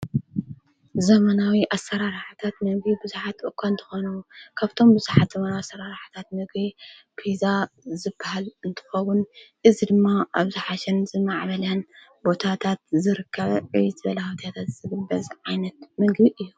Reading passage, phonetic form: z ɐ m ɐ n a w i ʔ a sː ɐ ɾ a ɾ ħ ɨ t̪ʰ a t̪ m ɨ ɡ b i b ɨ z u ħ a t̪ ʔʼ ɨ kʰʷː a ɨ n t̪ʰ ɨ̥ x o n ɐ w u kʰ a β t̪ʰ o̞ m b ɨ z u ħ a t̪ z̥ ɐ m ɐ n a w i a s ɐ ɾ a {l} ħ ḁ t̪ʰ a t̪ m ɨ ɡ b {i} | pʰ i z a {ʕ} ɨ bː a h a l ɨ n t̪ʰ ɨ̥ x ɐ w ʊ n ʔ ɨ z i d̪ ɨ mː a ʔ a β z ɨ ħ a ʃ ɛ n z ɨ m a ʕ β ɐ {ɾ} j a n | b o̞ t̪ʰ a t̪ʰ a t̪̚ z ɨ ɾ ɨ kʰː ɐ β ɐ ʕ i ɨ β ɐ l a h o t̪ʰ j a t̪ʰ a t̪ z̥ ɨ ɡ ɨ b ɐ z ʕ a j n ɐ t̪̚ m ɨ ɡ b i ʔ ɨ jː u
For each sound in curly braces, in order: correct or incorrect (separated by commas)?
incorrect, correct, incorrect, incorrect